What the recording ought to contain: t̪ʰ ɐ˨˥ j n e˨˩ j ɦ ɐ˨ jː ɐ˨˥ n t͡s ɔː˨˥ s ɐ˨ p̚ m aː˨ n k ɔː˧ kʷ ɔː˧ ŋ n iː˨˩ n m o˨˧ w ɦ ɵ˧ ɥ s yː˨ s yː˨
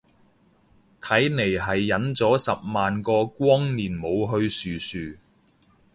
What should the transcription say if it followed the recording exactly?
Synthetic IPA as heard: t̪ʰ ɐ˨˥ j n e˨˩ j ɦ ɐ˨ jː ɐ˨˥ n t͡s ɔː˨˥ s ɐ˨ p̚ m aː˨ n k ɔː˧ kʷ ɔː˥ ŋ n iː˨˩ n m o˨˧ w ɦ ɵ˧ ɥ s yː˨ s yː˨